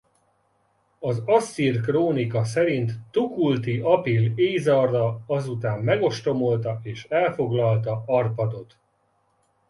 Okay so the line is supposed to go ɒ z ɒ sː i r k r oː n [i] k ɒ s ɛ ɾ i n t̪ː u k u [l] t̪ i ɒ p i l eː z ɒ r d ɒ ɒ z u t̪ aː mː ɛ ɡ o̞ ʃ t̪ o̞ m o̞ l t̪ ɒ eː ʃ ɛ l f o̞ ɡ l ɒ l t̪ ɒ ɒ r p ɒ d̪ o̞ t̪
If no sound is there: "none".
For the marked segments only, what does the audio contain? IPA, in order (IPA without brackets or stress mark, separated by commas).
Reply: i, l